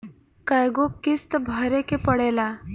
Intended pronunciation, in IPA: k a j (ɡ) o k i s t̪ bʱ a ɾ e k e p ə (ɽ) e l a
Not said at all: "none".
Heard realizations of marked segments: ɡ, ɽ

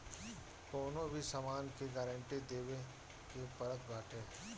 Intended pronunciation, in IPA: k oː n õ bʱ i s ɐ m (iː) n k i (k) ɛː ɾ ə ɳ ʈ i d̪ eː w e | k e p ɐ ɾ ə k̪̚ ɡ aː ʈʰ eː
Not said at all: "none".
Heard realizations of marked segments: aː, ɡ

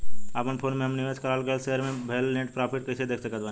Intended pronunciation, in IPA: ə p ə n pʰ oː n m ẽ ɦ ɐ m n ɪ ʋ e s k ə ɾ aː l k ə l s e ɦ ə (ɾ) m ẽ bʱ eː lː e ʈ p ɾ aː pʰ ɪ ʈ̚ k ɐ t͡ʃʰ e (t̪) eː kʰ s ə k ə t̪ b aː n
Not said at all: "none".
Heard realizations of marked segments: ɾ, d̪

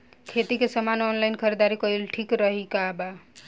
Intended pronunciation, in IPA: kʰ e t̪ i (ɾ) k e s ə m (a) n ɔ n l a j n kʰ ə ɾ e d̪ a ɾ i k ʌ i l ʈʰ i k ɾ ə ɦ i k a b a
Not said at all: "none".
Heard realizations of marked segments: none, a

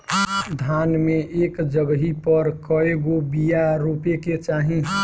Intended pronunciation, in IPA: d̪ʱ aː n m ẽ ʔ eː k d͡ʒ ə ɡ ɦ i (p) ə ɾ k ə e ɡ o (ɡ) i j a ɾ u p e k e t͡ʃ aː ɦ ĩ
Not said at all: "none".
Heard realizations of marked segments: p, b

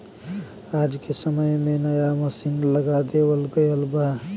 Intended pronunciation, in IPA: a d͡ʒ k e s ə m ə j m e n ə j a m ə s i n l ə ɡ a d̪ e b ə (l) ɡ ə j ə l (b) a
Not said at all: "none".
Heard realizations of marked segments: l, b

